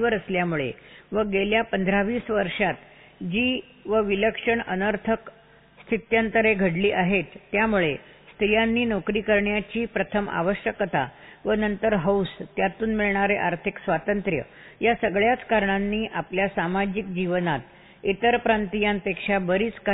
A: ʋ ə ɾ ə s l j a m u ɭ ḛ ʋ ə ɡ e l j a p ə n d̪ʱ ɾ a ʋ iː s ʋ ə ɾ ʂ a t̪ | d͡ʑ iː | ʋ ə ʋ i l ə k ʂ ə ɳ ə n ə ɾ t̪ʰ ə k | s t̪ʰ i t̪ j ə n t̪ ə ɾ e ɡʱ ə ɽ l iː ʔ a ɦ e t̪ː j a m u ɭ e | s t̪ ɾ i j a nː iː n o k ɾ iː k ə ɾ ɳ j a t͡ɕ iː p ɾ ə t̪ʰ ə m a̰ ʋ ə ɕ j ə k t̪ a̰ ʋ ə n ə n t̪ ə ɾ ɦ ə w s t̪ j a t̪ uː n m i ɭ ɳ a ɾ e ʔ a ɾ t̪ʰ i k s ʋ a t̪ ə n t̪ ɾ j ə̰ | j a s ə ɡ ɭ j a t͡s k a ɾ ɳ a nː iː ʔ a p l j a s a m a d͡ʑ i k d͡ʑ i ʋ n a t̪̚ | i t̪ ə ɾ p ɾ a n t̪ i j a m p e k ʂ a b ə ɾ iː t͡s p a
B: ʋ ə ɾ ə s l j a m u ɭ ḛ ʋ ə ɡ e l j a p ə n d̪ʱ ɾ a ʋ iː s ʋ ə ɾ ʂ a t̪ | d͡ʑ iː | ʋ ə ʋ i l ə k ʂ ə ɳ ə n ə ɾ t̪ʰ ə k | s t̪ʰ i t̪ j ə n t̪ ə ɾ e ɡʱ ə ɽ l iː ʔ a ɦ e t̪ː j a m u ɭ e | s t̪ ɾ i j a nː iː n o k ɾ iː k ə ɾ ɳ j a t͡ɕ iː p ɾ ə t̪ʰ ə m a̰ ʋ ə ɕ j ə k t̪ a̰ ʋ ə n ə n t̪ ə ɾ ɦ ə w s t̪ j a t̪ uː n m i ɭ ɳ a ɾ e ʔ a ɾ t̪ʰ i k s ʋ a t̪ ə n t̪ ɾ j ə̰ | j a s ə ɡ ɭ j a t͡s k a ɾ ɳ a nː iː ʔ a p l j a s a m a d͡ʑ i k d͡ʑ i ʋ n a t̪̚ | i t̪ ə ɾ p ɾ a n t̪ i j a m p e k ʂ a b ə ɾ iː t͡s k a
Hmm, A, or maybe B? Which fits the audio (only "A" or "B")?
B